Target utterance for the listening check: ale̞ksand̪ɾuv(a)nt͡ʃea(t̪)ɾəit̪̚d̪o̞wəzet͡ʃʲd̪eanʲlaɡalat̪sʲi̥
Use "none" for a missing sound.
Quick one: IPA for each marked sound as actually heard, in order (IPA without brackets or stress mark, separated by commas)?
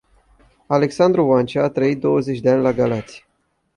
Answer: a, t̪